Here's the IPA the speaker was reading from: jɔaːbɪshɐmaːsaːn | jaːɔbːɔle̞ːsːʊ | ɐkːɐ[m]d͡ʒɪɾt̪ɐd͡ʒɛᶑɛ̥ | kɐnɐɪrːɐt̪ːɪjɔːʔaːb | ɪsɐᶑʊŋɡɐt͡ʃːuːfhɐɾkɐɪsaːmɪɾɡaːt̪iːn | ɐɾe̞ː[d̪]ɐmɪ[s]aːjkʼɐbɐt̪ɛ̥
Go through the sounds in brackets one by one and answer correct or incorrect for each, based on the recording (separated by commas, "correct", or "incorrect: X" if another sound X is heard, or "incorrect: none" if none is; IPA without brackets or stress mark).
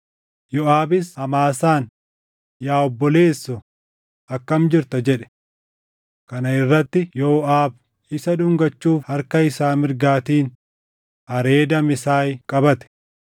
correct, correct, correct